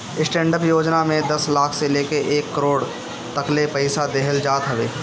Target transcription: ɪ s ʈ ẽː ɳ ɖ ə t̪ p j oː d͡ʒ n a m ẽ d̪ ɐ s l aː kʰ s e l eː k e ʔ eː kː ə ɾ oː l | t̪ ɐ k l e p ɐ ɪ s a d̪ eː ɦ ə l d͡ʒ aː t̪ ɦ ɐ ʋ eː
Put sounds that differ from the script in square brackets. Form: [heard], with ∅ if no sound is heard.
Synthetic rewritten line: ɪ s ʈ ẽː ɳ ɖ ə [∅] p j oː d͡ʒ n a m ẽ d̪ ɐ s l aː kʰ s e l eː k e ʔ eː kː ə ɾ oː [ɽ] | t̪ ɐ k l e p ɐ ɪ s a d̪ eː ɦ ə l d͡ʒ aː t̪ ɦ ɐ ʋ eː

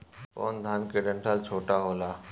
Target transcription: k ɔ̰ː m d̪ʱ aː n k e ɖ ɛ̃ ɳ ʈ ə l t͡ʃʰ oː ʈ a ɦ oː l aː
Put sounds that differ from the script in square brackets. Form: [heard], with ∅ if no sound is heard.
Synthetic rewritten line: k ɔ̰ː [n] d̪ʱ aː n k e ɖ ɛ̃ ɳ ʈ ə l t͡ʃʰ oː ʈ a ɦ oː l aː

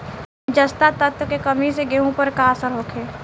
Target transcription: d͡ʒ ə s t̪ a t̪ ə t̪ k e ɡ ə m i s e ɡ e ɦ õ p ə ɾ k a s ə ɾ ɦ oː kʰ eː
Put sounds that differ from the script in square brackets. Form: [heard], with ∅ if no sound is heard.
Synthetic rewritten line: d͡ʒ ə s t̪ a t̪ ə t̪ k e [k] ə m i s e ɡ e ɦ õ p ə ɾ k a s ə ɾ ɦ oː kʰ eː

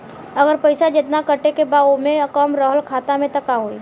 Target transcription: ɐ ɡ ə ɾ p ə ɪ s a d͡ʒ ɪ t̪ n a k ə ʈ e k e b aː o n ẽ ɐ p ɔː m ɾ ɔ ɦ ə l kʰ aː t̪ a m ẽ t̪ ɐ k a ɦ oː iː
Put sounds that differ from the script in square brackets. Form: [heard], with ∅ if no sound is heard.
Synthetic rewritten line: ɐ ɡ ə ɾ p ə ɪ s a d͡ʒ ɪ t̪ n a k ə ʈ e k e b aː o [m] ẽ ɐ [k] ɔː m ɾ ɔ ɦ ə l kʰ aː t̪ a m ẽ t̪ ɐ k a ɦ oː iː

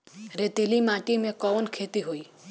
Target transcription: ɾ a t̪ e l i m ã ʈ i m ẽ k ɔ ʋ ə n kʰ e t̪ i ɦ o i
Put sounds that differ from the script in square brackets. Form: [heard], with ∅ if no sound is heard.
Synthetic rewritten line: ɾ [e] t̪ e l i m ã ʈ i m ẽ k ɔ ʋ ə n kʰ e t̪ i ɦ o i

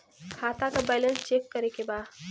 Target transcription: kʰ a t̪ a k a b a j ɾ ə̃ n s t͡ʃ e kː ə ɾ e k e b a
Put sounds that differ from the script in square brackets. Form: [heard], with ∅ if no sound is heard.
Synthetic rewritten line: kʰ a t̪ a k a b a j [l] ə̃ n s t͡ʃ e kː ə ɾ e k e b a

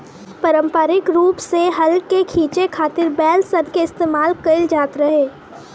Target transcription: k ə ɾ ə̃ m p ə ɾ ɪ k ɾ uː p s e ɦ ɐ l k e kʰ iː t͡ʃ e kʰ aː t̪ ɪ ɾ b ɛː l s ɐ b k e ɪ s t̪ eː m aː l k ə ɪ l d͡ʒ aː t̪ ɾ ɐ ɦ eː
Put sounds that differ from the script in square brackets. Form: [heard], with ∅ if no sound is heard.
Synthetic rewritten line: [p] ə ɾ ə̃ m p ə ɾ ɪ k ɾ uː p s e ɦ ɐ l k e kʰ iː t͡ʃ e kʰ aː t̪ ɪ ɾ b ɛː l s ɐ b k e ɪ s t̪ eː m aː l k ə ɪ l d͡ʒ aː t̪ ɾ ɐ ɦ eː

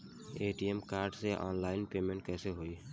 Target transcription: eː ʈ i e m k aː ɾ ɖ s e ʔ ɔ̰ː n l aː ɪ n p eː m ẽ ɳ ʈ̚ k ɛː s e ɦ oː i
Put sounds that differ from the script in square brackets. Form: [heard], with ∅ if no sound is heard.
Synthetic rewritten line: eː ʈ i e m k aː ɾ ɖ s e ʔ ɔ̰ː n l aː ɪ n p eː m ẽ ɳ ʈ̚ k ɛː s e ɦ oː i

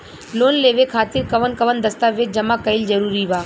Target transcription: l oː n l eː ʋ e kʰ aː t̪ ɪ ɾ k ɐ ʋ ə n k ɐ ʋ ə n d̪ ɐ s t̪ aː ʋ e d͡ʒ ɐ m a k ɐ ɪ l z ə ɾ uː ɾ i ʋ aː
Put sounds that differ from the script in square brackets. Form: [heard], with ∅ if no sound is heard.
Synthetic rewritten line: l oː n l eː ʋ e kʰ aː t̪ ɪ ɾ k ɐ ʋ ə n k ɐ ʋ ə n d̪ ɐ s t̪ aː ʋ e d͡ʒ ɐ m a k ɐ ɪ l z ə ɾ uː ɾ i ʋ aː

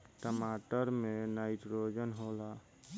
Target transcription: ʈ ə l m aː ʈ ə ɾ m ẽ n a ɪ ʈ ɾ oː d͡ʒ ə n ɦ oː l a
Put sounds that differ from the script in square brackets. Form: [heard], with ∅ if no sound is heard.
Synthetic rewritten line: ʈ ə [∅] m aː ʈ ə ɾ m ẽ n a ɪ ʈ ɾ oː d͡ʒ ə n ɦ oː l a

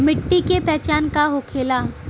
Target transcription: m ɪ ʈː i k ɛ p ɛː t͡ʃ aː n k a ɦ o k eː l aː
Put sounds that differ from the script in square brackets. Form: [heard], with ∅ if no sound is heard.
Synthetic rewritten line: m ɪ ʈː i k [e] p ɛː t͡ʃ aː n k a ɦ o [kʰ] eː l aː

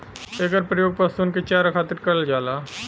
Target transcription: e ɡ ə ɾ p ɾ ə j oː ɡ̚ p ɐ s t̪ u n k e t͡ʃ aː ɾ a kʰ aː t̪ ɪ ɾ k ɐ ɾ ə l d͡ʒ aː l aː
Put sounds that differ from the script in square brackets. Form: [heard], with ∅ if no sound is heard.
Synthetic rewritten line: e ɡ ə ɾ p ɾ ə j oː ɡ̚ p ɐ s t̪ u n k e t͡ʃ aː ɾ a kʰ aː t̪ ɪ ɾ k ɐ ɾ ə l d͡ʒ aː l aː

